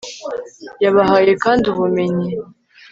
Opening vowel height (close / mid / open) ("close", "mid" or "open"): open